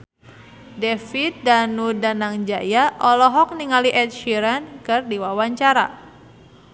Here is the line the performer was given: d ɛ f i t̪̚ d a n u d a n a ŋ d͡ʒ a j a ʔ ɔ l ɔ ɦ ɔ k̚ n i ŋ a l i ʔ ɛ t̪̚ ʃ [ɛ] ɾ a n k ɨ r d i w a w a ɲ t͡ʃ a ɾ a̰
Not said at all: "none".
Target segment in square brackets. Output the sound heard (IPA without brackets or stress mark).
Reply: i